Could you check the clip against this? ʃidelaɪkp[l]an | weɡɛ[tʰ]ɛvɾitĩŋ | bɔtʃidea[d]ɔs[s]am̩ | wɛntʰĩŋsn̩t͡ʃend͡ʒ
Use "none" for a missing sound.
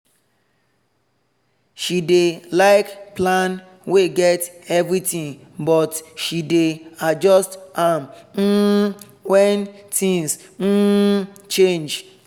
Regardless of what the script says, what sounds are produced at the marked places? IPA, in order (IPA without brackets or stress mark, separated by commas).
l, t, d͡ʒ, t